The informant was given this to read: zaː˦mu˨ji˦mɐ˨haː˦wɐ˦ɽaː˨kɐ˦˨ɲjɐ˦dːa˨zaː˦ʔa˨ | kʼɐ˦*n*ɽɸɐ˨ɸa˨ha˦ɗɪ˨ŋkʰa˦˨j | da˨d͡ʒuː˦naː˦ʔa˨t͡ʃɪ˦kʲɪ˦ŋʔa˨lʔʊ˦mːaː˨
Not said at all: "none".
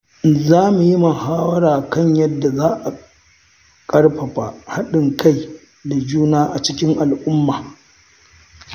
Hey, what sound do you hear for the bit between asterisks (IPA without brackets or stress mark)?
none